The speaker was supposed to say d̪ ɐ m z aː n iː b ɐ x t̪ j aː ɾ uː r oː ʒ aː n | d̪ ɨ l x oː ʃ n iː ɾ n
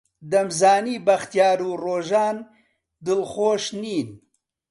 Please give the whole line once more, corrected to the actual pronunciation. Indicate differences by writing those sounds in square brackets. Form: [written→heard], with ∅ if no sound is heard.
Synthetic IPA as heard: d̪ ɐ m z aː n iː b ɐ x t̪ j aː ɾ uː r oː ʒ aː n | d̪ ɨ l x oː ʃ n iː [ɾ→∅] n